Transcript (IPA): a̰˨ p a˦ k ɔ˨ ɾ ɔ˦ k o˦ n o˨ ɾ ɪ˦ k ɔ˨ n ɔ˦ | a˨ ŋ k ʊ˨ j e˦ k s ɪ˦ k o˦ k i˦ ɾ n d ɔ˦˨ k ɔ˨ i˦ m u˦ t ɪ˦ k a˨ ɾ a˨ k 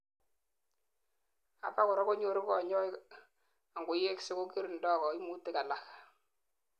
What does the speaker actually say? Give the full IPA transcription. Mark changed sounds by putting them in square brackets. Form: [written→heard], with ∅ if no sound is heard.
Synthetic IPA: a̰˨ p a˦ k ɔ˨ ɾ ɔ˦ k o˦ [n→ɲ] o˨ ɾ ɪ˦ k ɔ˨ [n→ɲ] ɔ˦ | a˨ ŋ [k→ɡ] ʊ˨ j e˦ k s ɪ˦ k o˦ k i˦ ɾ n d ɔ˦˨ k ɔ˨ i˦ m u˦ t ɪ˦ k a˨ [ɾ→l] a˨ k

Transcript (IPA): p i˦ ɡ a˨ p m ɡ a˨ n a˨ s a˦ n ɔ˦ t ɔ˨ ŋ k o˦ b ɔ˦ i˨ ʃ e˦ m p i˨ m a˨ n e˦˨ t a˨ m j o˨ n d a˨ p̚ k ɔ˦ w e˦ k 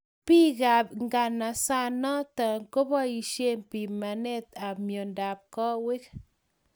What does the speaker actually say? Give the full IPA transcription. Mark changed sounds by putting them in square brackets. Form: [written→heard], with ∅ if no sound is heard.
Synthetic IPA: p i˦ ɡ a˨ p [m→ŋ] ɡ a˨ n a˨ s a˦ n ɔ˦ t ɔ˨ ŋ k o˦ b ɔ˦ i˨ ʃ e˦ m p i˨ m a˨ n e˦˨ t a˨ m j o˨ n d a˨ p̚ k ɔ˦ w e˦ k

